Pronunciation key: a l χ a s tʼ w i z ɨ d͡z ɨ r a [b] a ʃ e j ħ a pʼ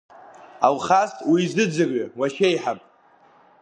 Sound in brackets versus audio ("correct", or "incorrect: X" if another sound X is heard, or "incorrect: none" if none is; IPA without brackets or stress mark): incorrect: w